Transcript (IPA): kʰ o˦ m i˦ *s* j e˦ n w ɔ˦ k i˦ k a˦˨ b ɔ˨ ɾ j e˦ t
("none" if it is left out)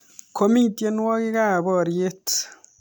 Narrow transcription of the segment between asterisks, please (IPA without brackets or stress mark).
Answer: t